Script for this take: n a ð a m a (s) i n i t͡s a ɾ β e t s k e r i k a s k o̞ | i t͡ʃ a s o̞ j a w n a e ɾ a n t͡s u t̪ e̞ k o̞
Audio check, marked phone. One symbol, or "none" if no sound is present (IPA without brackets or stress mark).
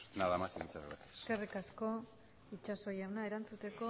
s